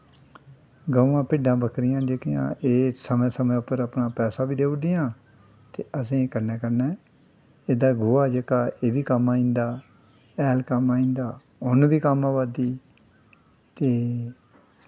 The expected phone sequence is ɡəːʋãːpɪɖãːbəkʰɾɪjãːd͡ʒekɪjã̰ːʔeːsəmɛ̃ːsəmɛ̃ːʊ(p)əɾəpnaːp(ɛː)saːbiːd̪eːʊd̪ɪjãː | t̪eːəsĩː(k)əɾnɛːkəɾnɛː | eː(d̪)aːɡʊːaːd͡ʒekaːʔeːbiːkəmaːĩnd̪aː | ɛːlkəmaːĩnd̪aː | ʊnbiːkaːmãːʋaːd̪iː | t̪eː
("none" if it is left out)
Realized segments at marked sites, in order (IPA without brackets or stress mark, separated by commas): p, ɛː, k, d̪